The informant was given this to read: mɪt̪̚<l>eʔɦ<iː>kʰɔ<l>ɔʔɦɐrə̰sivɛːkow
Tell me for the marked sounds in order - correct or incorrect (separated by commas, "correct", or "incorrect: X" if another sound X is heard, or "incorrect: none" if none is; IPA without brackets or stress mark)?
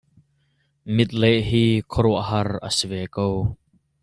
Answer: correct, correct, incorrect: ɾ